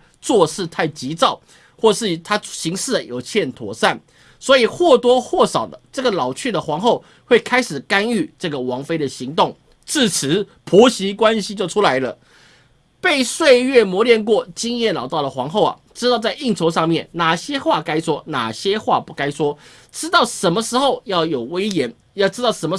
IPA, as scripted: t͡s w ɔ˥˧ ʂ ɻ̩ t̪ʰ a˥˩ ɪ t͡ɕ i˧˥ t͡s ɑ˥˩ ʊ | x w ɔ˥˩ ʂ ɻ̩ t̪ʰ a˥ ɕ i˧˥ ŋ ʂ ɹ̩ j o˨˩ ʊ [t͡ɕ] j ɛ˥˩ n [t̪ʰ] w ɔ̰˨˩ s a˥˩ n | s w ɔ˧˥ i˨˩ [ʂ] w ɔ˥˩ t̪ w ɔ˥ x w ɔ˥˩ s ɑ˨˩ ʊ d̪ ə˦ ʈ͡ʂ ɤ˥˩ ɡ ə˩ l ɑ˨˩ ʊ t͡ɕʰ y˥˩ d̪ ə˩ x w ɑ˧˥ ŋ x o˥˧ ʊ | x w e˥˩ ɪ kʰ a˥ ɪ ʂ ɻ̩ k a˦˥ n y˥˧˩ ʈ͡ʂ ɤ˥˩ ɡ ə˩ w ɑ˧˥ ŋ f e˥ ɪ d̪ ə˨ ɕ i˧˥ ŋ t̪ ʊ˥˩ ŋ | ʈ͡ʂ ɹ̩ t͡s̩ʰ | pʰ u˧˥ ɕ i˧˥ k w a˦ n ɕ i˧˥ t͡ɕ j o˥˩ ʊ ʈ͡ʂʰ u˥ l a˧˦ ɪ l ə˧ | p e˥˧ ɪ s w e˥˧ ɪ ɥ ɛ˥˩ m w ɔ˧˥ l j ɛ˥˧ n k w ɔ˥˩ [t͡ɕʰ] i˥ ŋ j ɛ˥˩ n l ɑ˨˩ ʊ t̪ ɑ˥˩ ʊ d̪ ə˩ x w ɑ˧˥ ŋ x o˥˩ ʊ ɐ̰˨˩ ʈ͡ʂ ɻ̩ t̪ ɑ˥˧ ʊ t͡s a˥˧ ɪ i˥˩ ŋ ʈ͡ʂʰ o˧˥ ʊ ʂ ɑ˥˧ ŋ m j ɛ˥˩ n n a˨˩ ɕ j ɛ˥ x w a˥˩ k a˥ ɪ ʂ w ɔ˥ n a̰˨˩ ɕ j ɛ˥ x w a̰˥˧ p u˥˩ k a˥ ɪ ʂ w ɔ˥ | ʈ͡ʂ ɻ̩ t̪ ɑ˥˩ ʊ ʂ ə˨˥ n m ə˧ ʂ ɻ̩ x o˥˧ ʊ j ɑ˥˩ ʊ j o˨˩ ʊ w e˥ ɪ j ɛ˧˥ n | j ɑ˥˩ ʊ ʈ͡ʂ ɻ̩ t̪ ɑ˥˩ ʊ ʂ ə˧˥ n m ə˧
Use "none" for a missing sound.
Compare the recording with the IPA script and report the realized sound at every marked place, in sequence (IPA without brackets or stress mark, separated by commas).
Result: t͡ɕʰ, t̪ʰ, x, t͡ɕ